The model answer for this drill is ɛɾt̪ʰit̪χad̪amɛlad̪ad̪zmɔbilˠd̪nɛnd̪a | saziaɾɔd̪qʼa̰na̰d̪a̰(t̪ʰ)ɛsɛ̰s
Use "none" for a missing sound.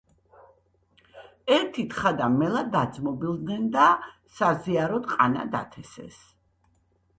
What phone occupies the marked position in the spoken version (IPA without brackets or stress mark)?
t̪ʰ